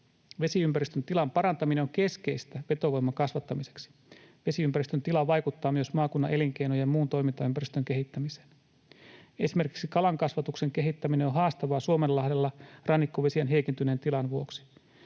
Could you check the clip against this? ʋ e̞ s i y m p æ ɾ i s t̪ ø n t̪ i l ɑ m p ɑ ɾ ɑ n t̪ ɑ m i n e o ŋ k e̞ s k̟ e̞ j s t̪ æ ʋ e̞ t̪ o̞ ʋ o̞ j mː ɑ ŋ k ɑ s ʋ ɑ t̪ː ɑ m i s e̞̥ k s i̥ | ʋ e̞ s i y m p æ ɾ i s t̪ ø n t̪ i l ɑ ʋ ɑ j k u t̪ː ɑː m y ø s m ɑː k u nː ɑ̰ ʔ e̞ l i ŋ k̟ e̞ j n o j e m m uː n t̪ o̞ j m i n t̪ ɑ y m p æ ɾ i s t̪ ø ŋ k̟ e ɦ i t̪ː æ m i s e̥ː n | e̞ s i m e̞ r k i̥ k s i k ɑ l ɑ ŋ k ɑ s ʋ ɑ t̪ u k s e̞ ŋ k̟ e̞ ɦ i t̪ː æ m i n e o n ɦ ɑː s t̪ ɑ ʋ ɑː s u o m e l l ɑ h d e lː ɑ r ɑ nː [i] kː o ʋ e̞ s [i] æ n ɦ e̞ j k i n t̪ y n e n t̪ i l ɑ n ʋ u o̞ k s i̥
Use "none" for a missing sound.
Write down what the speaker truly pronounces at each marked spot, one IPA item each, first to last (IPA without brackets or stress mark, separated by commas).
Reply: i, i